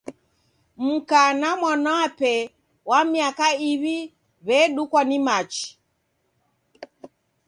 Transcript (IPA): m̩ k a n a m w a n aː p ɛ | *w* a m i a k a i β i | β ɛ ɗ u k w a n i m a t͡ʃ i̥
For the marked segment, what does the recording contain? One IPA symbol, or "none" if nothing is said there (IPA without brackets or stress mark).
w